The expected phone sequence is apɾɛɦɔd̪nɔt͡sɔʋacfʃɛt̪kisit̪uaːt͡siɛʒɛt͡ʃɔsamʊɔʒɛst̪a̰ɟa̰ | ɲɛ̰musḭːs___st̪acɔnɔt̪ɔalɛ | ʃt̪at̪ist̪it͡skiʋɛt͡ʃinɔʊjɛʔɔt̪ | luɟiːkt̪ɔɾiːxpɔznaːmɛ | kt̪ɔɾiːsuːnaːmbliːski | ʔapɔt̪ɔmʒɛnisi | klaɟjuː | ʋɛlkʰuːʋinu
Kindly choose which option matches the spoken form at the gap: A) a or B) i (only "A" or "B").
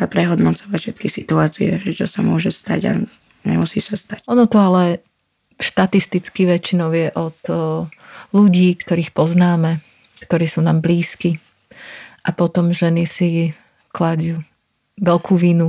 A